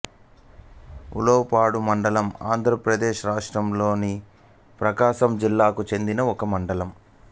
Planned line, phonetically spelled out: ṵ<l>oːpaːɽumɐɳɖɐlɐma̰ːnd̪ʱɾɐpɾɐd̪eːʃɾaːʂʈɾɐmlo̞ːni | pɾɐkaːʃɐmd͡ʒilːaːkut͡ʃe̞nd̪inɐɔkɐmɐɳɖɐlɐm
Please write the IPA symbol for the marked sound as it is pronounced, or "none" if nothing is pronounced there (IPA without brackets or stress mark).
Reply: l